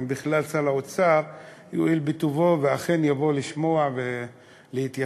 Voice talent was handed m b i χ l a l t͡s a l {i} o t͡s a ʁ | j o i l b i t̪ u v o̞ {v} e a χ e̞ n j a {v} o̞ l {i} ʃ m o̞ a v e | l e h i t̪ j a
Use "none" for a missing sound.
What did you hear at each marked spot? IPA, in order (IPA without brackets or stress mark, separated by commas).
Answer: a, v, v, i